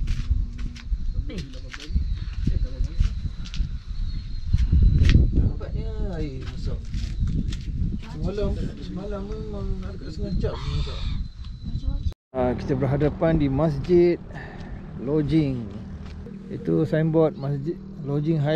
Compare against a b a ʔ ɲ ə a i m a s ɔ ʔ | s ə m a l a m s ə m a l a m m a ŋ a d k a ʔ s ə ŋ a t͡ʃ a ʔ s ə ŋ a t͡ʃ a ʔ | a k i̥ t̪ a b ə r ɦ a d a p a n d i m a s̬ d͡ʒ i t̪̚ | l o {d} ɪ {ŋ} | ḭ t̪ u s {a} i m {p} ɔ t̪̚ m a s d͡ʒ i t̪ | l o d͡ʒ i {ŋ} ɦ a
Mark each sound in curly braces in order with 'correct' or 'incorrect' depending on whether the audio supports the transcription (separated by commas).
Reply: incorrect, correct, correct, incorrect, correct